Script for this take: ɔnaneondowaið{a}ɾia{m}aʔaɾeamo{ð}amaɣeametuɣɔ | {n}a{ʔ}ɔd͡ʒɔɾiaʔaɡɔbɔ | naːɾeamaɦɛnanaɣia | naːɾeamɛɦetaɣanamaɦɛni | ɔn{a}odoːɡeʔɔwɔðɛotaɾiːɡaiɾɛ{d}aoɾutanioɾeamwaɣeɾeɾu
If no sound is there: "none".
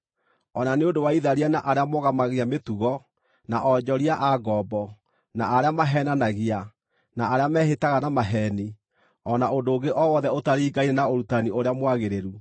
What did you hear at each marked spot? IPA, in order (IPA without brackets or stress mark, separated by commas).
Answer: a, n, ɣ, n, ʔ, a, n